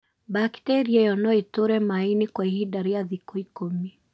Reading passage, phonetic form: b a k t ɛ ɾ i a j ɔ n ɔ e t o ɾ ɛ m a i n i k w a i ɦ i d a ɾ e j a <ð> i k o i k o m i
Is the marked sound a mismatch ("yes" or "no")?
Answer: no